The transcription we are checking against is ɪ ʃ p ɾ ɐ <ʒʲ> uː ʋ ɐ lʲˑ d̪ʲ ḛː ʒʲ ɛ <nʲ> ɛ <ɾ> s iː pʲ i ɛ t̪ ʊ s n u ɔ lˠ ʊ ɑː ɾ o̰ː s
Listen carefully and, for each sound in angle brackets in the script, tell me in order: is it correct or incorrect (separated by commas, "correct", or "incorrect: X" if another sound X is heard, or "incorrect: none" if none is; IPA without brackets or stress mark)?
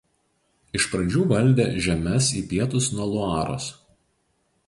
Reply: incorrect: d͡ʒʲ, incorrect: mʲ, incorrect: none